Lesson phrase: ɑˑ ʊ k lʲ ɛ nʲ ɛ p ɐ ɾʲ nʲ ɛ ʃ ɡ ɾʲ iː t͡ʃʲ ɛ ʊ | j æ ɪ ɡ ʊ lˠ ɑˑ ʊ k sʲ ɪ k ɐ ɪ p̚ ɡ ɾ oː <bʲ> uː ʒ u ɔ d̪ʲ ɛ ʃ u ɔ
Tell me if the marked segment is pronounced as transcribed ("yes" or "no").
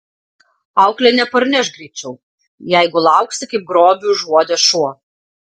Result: yes